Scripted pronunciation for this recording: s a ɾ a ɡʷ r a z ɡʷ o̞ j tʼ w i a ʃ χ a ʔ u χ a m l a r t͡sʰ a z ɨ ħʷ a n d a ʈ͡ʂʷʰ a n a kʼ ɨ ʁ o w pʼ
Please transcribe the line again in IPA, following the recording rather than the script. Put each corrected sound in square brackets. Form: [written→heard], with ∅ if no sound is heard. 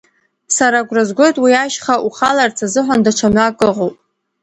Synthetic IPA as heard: s a ɾ a ɡʷ r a z ɡʷ o̞ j tʼ w i a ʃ χ a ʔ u χ a [m→∅] l a r t͡sʰ a z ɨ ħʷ a n d a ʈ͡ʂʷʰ a [n→m] a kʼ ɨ ʁ o w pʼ